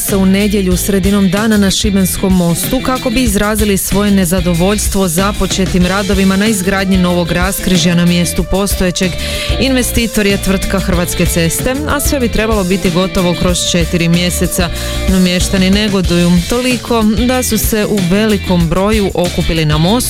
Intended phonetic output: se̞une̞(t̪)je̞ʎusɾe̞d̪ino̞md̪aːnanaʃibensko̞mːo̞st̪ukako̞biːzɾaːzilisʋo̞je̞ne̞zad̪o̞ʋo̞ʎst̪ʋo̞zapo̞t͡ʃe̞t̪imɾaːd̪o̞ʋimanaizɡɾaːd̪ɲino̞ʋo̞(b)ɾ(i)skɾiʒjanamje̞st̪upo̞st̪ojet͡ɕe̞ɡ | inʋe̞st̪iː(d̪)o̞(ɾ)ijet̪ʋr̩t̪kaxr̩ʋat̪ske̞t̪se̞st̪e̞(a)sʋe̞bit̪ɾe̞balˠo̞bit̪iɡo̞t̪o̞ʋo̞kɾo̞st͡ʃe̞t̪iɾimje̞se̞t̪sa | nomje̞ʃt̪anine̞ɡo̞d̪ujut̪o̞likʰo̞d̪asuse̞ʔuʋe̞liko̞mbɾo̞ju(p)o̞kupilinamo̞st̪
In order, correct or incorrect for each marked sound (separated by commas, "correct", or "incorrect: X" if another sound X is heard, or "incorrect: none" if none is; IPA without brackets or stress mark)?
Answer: incorrect: d̪, incorrect: ɡ, incorrect: a, incorrect: t̪, correct, correct, incorrect: ʔ